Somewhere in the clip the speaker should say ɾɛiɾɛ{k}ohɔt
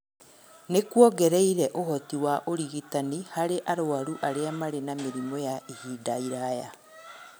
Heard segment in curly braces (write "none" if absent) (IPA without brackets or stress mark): ʔ